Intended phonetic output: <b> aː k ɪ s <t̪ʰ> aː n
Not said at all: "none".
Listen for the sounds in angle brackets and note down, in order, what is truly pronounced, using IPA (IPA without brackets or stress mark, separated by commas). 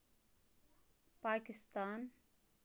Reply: p, t̪